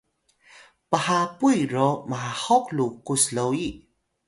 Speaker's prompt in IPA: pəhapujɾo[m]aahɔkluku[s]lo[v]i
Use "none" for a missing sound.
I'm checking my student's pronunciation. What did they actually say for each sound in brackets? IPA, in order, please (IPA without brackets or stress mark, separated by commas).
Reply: m, s, w